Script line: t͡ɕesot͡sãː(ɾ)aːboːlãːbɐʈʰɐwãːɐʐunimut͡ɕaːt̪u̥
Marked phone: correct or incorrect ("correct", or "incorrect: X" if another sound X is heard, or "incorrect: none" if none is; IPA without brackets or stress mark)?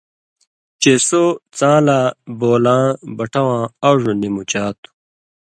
incorrect: l